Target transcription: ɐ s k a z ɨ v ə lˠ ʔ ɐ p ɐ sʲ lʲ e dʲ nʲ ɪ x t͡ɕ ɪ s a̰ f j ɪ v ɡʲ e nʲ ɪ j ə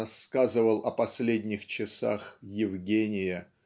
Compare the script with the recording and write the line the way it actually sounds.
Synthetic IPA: ɐ s k a z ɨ v ə lˠ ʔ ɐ p ɐ sʲ lʲ e dʲ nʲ ɪ x t͡ɕ ɪ s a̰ x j ɪ v ɡʲ e nʲ ɪ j ə